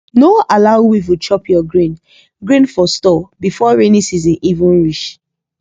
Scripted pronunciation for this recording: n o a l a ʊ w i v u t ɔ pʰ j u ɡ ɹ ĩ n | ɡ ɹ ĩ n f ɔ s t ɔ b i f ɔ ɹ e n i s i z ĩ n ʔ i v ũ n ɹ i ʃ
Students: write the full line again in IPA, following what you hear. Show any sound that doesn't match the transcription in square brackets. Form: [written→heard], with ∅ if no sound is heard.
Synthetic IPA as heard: n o a l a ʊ w i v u [t→t͡ʃ] ɔ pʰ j [u→ɔ] ɡ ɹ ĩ n | ɡ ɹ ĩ n f ɔ s t ɔ b i f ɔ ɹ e n i s i z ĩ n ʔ i v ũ n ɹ i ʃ